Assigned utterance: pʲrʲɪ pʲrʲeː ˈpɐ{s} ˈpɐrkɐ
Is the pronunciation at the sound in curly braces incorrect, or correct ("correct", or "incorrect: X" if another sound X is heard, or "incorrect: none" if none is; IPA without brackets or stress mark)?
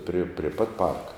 incorrect: t